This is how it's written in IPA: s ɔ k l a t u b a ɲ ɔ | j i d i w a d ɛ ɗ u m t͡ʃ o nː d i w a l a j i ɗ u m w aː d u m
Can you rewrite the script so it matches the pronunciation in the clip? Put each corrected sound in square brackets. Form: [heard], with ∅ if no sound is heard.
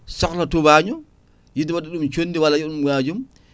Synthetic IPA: s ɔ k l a t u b a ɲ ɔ | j i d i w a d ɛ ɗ u m t͡ʃ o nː d i w a l a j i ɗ u m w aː [d͡ʒ] u m